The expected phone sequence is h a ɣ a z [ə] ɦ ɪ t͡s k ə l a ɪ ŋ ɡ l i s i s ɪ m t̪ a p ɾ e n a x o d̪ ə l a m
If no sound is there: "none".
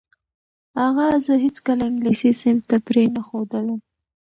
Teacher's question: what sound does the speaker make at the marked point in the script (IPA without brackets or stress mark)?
ə